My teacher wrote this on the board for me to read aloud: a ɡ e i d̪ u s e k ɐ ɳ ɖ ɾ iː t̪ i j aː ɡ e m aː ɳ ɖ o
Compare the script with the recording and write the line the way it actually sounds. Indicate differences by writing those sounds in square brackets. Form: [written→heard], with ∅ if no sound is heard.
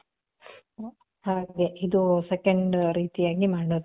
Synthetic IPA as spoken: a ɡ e i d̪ u s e k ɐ ɳ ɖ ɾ iː t̪ i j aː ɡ [e→i] m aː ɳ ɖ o